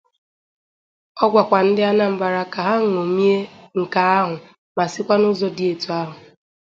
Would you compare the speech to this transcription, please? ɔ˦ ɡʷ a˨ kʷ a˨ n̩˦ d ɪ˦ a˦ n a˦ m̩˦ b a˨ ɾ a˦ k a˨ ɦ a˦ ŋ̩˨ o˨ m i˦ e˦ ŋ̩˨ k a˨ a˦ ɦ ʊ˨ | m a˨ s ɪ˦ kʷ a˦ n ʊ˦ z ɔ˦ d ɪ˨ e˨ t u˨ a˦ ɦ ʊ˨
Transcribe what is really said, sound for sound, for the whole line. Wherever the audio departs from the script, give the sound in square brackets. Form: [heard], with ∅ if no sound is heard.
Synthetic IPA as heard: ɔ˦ ɡʷ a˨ kʷ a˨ n̩˦ d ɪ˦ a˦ n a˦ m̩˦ b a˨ ɾ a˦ k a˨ ɦ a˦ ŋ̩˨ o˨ m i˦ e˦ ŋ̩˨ k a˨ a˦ ɦ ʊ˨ | m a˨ s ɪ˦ kʷ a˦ n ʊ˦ z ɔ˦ d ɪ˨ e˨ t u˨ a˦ ɦ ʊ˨

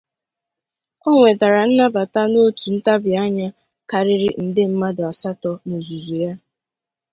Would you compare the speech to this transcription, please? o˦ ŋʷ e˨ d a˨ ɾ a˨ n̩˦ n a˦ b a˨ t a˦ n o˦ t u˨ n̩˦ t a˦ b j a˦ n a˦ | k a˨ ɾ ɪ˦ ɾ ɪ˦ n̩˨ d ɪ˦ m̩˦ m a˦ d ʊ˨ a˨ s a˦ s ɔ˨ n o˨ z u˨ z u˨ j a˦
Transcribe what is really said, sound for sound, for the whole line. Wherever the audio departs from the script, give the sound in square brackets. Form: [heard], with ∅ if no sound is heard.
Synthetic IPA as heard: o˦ ŋʷ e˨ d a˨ ɾ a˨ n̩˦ n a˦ b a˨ t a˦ n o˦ t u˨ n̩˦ t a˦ b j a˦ [ɲ] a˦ | k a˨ ɾ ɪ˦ ɾ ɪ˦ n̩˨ d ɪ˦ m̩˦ m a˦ d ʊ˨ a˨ s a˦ [t] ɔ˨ n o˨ z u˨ z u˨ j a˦

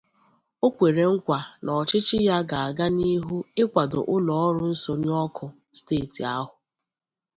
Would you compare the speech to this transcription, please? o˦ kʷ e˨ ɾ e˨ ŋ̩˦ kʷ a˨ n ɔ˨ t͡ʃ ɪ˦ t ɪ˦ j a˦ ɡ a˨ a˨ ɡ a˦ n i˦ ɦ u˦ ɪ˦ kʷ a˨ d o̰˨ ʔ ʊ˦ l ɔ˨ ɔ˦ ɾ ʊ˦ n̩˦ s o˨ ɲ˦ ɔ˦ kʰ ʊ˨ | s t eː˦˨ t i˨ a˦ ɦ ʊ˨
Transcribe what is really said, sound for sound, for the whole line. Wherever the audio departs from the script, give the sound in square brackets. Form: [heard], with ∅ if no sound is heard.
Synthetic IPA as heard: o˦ kʷ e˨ ɾ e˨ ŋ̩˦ kʷ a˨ n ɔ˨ t͡ʃ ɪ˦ [t͡ʃ] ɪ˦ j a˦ ɡ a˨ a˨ ɡ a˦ n i˦ ɦ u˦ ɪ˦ kʷ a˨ d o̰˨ ʔ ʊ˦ l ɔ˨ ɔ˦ ɾ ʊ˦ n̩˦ s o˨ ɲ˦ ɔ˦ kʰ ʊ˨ | s t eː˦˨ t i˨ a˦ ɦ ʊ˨

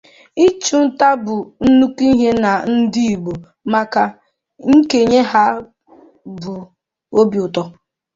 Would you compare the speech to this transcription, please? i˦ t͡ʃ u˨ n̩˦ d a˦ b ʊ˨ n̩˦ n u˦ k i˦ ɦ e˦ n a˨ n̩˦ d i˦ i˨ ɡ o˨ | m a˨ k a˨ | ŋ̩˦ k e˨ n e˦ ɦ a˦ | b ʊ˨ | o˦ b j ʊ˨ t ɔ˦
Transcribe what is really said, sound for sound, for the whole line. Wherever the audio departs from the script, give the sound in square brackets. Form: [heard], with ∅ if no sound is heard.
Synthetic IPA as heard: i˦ t͡ʃ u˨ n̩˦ [t] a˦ b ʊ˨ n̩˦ n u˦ k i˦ ɦ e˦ n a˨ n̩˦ d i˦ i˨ [ɡ͡b] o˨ | m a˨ k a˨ | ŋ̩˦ k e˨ [ɲ] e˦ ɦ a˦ | b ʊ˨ | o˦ b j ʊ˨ t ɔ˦

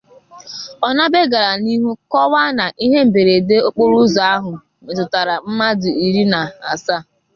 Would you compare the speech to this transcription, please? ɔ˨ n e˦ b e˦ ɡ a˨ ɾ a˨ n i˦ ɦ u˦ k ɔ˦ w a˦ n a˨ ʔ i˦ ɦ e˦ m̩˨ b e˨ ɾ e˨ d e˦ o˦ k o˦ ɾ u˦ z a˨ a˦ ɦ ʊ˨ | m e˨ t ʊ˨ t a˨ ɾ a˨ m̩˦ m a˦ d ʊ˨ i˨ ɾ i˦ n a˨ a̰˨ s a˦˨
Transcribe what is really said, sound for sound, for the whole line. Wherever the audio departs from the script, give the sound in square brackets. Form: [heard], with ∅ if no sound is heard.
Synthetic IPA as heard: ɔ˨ n [a˦] b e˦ ɡ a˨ ɾ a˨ n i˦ ɦ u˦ k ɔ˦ w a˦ n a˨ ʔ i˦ ɦ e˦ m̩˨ b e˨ ɾ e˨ d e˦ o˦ [k͡p] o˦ ɾ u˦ z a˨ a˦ ɦ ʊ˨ | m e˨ t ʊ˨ t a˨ ɾ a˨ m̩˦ m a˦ d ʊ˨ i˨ ɾ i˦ n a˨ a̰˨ s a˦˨

